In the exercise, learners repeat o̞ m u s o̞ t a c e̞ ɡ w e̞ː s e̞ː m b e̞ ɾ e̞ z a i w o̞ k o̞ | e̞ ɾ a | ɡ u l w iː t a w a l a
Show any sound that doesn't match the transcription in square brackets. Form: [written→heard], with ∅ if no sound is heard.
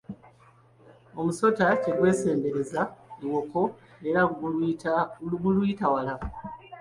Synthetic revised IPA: o̞ m u s o̞ t a c e̞ ɡ w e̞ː s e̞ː m b e̞ ɾ e̞ z a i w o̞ k o̞ | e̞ ɾ a | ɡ u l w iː t a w a l a